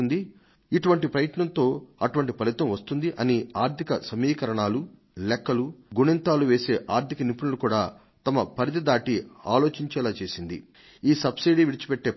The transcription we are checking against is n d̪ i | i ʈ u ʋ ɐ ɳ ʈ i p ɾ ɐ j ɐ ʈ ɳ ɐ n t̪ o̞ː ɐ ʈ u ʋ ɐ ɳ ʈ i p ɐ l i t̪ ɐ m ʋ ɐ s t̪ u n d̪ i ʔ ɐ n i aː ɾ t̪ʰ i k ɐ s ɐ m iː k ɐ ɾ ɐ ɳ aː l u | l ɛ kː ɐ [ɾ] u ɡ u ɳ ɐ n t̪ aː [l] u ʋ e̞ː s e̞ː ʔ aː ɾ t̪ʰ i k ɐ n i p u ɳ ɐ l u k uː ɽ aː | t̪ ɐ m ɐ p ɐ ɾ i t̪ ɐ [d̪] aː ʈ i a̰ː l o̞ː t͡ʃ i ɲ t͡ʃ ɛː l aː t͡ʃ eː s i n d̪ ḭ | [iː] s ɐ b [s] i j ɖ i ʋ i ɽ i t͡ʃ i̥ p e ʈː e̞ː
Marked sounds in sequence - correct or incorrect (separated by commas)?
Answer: incorrect, correct, correct, correct, correct